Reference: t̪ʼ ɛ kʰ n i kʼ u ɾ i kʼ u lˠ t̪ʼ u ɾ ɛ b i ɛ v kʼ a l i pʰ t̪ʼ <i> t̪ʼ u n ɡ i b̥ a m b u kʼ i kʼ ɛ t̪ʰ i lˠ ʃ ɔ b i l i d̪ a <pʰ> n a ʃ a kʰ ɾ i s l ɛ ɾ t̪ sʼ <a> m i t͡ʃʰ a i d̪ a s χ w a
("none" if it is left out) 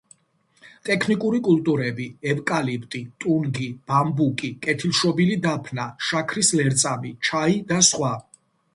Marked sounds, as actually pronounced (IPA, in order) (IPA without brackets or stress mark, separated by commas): i, pʰ, a